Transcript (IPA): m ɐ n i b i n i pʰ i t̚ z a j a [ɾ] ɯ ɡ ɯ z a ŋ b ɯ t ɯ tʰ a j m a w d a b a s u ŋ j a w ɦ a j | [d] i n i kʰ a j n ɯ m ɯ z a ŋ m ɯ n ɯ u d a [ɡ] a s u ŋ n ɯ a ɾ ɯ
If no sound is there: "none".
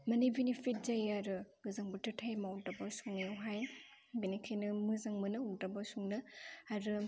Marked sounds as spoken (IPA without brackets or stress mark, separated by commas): ɾ, b, b